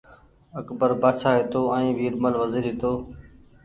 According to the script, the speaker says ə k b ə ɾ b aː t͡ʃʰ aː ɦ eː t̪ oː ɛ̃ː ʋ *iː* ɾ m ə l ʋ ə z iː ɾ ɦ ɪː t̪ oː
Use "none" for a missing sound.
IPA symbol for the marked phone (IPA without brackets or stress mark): iː